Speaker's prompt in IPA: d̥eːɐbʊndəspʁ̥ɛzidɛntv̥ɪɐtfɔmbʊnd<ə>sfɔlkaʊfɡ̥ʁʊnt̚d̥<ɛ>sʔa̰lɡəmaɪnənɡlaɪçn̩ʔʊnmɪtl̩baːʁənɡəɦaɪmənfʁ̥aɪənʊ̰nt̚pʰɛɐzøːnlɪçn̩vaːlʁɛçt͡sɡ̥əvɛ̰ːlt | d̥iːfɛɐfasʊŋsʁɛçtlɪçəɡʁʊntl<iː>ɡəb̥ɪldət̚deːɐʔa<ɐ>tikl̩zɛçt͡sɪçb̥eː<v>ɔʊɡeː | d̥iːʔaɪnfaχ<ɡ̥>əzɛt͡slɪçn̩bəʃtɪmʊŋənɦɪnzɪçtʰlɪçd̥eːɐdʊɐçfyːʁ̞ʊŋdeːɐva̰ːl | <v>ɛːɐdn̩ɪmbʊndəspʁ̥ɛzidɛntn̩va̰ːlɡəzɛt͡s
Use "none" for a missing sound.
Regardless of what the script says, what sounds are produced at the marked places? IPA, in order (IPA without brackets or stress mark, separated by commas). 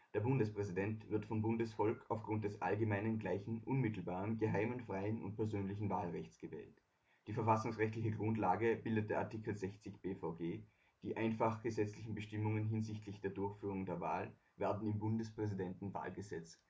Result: ə, ɛ, aː, ɐ, f, ɡ̥, v